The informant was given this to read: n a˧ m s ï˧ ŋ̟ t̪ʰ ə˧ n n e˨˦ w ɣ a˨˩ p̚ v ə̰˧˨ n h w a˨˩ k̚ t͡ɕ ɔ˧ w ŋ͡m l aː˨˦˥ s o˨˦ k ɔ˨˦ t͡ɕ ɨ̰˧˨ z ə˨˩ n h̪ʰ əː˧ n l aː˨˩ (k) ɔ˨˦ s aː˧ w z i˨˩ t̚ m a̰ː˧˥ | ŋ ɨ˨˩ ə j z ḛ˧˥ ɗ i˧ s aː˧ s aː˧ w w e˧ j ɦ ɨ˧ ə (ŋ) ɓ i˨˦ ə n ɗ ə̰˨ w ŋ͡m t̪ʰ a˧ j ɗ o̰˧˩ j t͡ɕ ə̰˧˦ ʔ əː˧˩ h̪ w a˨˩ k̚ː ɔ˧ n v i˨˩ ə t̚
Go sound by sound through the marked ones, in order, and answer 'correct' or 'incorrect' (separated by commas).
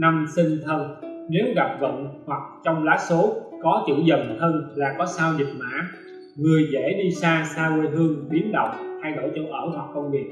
correct, correct